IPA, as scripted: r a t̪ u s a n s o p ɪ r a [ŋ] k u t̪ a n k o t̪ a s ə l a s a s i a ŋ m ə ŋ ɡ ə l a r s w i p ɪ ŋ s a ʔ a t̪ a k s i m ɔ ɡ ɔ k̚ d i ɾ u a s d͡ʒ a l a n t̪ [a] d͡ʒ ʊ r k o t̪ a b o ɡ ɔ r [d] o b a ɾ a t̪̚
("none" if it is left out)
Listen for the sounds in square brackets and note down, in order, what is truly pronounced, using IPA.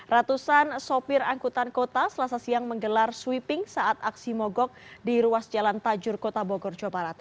ŋ, a, d͡ʒ

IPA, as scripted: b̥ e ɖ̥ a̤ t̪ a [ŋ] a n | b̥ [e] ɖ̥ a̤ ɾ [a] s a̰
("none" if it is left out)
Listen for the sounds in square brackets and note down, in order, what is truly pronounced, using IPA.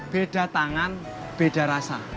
ŋ, e, a

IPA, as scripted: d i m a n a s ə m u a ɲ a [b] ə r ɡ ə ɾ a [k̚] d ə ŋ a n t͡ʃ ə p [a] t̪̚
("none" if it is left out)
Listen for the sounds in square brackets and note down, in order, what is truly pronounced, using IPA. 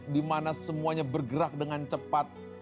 b, k̚, a

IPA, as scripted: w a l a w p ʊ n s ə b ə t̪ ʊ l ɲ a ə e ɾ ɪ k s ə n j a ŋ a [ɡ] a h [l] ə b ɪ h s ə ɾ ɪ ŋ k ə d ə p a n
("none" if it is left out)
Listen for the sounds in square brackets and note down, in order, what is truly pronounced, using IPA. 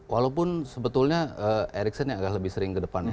ɡ, l

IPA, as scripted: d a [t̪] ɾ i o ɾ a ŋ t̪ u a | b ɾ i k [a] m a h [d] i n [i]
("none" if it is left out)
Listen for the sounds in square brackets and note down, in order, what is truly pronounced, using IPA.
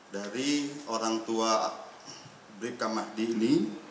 none, a, d, i

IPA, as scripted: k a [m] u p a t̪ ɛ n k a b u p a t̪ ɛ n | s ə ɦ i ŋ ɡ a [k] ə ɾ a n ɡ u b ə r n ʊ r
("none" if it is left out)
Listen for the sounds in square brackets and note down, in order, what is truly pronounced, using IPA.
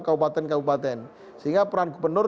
b, p

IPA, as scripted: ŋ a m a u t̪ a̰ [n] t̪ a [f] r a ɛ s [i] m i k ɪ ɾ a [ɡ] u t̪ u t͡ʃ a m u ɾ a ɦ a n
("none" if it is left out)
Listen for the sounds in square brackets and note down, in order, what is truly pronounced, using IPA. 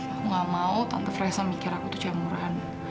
n, f, a, k

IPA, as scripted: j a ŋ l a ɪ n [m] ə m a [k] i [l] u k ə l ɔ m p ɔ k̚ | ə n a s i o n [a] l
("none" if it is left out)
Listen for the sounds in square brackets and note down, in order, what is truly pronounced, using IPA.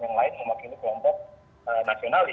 m, k, l, a

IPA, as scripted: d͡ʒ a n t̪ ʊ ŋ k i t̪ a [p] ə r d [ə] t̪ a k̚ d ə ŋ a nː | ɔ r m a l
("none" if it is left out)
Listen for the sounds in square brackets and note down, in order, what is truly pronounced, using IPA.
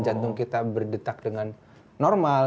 b, ə

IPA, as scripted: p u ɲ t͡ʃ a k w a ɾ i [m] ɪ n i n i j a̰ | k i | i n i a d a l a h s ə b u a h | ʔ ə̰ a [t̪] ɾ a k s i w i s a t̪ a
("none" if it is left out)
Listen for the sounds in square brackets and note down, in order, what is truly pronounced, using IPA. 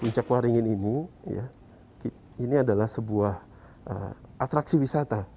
ŋ, t̪

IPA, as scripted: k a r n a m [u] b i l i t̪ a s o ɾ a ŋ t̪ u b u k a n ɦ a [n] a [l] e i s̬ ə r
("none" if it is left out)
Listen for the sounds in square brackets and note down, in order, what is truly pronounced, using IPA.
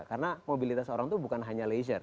o, ɲ, l

